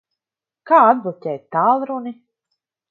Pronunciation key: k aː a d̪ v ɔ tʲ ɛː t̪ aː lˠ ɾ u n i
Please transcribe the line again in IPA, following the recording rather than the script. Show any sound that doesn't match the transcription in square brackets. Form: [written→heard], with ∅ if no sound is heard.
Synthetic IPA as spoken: k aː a d̪ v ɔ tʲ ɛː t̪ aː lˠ ɾ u n i